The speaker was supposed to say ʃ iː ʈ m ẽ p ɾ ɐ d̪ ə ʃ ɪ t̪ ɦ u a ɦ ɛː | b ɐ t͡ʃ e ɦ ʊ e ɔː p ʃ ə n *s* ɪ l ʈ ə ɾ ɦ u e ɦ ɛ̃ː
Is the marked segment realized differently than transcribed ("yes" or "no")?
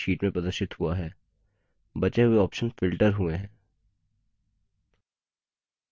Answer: yes